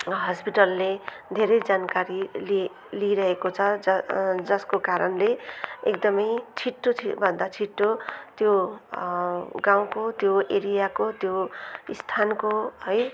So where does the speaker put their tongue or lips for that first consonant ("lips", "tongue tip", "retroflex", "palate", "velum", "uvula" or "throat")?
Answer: throat